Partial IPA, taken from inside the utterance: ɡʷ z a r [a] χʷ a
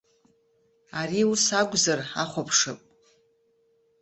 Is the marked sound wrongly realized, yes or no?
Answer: no